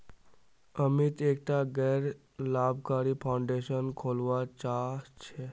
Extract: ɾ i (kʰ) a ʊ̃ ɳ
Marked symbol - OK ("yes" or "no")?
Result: no